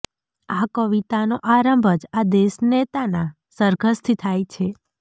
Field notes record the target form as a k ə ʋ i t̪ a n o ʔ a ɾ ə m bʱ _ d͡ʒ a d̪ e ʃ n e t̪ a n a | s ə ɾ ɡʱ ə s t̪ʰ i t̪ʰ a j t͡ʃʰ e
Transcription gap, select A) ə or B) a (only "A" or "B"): A